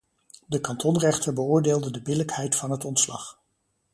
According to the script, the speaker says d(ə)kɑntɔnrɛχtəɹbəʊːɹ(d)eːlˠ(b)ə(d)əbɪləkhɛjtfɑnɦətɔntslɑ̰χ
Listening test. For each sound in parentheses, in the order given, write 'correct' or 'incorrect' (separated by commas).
correct, correct, incorrect, correct